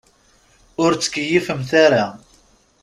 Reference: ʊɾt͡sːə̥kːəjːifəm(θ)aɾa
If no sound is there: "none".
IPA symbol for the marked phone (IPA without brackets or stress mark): θ